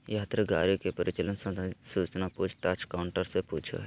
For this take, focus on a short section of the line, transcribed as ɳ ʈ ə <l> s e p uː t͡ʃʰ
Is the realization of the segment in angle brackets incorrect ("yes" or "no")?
yes